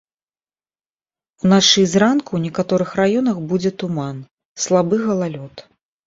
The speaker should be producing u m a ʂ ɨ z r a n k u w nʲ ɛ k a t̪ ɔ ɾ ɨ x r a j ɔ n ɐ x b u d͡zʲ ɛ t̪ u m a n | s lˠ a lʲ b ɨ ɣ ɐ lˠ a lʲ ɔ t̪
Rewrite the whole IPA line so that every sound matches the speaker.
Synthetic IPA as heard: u n a ʂ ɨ z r a n k u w nʲ ɛ k a t̪ ɔ ɾ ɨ x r a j ɔ n ɐ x b u d͡zʲ ɛ t̪ u m a n | s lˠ a b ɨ ɣ ɐ lˠ a lʲ ɔ t̪